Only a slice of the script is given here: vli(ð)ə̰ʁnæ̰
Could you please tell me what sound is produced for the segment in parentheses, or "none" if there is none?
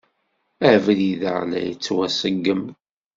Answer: ð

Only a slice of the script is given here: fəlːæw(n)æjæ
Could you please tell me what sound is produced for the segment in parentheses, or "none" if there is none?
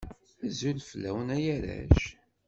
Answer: n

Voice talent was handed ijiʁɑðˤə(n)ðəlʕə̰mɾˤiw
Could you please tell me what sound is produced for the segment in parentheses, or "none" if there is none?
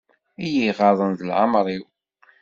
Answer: n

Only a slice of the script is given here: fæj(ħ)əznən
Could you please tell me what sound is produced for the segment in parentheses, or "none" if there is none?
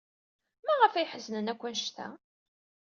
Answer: ħ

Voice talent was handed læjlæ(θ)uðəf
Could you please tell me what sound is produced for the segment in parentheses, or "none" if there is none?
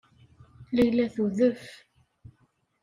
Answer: θ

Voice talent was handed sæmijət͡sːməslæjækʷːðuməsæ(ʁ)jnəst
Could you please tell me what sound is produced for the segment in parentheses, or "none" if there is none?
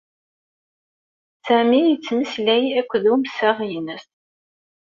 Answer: ʁ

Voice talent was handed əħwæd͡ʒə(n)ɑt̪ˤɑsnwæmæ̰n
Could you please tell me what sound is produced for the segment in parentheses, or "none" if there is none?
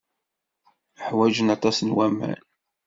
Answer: n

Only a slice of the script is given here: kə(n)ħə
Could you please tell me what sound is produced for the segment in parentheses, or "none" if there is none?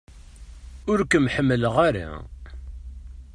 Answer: m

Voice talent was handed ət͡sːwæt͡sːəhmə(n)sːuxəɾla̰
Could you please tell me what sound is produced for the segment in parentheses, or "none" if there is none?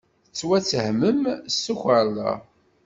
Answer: m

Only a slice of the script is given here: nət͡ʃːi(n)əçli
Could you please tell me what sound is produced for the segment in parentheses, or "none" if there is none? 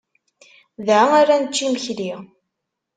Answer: m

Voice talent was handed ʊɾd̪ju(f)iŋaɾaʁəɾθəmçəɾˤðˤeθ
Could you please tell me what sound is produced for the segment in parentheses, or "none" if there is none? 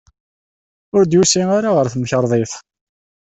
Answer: s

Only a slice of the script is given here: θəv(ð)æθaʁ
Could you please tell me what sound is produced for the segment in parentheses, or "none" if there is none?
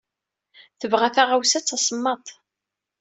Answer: ʁ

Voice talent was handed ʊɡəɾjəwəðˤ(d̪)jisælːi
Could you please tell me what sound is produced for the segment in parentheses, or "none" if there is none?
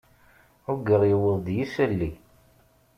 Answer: d̪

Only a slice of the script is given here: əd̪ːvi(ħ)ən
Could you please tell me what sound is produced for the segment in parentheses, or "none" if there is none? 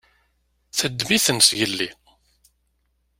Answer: θ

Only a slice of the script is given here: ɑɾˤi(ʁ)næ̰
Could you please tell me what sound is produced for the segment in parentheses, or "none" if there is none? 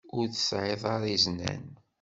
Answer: z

